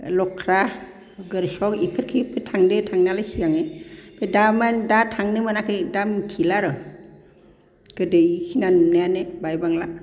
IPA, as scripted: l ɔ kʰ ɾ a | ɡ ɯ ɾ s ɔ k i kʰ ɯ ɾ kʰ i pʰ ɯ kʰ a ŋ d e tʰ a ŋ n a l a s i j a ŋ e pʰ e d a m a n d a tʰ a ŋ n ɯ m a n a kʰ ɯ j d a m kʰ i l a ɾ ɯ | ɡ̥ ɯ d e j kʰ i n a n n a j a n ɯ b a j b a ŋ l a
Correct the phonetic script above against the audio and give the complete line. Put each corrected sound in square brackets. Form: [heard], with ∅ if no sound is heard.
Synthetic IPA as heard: l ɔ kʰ ɾ a | ɡ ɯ ɾ s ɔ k i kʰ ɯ ɾ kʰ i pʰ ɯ [tʰ] a ŋ d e tʰ a ŋ n a l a s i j a ŋ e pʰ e d a m a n d a tʰ a ŋ n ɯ m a n a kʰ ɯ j d a m kʰ i l a ɾ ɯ | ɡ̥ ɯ d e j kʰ i n a n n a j a n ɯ b a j b a ŋ l a